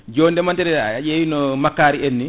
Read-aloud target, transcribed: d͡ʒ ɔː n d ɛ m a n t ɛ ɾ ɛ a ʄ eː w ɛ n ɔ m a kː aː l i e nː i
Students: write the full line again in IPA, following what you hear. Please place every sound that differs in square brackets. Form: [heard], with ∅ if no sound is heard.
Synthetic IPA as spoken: d͡ʒ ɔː n d ɛ m a n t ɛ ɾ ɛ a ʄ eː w [i] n ɔ m a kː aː [ɾ] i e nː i

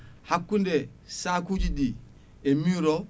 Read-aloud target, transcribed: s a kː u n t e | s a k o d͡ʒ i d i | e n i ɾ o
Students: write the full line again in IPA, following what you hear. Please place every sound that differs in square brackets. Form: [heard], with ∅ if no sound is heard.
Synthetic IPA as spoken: [h] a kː u n [d] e | s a k [u] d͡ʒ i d i | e [m] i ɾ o

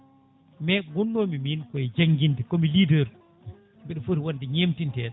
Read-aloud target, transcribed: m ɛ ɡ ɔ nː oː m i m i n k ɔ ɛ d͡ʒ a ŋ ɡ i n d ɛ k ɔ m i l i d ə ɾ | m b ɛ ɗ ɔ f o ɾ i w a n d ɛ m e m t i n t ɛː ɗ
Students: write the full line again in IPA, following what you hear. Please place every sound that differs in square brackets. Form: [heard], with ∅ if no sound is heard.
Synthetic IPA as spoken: m ɛ ɡ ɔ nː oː m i m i n k ɔ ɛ d͡ʒ a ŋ ɡ i n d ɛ k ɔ m i l i d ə ɾ | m b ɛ ɗ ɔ f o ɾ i w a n d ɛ [ɲ] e m t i n t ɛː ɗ

